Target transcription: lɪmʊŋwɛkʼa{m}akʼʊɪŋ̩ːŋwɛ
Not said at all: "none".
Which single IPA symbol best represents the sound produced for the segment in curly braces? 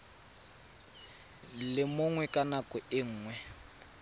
n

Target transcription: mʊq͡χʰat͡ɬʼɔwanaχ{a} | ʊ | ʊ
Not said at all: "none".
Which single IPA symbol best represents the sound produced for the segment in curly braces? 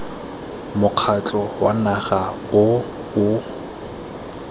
a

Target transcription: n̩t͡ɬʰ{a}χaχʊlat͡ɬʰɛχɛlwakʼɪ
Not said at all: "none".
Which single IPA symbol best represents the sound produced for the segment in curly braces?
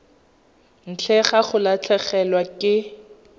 ɛ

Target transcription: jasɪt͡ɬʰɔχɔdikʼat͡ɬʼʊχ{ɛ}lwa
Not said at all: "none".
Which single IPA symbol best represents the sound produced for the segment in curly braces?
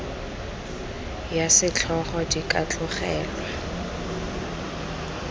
ɛː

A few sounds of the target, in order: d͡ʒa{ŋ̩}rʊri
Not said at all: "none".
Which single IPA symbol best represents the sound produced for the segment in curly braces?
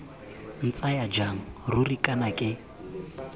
ŋ̩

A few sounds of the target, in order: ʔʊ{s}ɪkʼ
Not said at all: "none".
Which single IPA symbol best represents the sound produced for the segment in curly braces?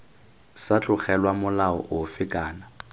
f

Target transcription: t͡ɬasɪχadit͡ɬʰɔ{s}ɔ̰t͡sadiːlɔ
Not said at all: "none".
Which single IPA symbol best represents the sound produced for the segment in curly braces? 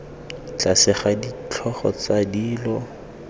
χ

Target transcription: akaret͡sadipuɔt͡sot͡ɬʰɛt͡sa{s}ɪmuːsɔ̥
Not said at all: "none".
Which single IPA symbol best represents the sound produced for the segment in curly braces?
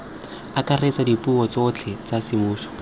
s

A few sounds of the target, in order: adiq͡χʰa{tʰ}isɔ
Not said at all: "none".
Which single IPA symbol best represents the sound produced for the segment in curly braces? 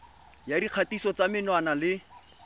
t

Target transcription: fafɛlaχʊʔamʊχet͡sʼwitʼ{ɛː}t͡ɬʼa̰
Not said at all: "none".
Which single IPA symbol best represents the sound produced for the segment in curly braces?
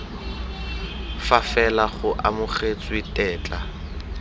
ɛː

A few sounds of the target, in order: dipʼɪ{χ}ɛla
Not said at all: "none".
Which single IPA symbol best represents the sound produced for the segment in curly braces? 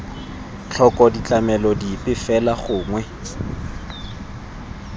f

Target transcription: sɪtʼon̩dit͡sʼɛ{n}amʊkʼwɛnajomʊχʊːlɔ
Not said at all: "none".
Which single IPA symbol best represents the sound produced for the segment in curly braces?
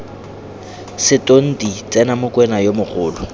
n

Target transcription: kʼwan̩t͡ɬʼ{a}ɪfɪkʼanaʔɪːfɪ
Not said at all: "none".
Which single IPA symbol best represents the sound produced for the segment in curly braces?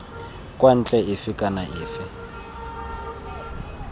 ɛ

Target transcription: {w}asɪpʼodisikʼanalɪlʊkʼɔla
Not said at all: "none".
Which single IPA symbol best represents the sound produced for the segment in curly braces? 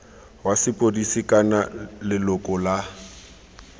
w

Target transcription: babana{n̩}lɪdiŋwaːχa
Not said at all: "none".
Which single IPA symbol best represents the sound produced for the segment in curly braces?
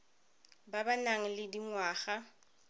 ŋ̩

